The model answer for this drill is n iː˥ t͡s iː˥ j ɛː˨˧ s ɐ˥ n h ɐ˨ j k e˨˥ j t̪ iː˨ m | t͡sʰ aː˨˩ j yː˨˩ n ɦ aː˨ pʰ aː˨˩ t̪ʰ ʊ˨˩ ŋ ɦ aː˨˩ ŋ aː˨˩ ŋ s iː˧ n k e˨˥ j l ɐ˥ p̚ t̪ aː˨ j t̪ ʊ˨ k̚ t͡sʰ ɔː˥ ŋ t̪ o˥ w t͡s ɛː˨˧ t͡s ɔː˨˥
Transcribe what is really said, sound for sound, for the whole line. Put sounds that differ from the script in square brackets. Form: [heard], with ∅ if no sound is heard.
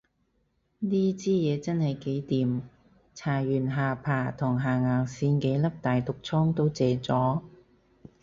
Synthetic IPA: n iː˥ t͡s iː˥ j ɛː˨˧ [t͡s] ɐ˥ n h ɐ˨ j k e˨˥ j t̪ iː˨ m | t͡sʰ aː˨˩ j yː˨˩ n ɦ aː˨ pʰ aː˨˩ t̪ʰ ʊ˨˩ ŋ ɦ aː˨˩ ŋ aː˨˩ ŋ s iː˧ n k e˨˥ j l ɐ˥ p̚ t̪ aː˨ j t̪ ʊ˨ k̚ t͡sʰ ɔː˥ ŋ t̪ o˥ w t͡s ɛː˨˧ t͡s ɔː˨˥